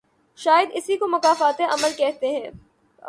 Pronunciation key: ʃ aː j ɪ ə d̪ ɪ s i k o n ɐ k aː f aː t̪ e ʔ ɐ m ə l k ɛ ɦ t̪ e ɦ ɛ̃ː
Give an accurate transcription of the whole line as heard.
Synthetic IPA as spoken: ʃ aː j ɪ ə d̪ ɪ s i k o m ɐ k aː f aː t̪ e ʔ ɐ m ə l k ɛ ɦ t̪ e ɦ ɛ̃ː